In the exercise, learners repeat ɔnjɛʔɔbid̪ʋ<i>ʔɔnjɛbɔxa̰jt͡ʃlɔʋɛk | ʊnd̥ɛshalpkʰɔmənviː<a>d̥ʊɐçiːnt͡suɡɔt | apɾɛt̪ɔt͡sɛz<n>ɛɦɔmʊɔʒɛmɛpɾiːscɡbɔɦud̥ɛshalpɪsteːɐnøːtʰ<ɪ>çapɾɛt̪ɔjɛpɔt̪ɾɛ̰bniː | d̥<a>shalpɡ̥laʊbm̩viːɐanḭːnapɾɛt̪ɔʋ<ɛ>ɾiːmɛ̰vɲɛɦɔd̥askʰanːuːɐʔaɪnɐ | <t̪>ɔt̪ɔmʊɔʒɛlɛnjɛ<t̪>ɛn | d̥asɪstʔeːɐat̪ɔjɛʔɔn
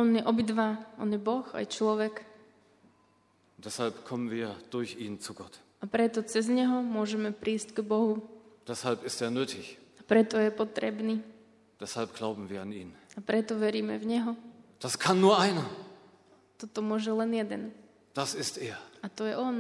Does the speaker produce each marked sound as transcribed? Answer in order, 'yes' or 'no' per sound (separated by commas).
no, no, no, yes, no, yes, yes, no